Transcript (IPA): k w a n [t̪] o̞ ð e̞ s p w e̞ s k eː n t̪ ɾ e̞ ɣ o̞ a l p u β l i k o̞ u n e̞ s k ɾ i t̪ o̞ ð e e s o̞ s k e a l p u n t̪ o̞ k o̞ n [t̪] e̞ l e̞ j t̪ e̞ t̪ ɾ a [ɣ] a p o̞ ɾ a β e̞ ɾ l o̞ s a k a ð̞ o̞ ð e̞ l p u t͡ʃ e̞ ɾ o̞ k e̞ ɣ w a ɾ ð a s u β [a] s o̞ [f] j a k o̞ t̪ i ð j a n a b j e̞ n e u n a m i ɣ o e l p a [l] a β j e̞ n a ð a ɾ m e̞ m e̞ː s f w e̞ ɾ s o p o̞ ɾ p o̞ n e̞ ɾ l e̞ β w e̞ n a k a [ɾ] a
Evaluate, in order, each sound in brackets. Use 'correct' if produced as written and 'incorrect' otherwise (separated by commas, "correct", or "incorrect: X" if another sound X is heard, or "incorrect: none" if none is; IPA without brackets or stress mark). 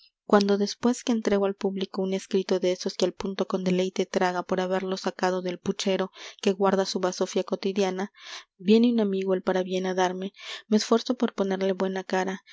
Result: incorrect: d̪, incorrect: d̪, correct, correct, correct, incorrect: ɾ, correct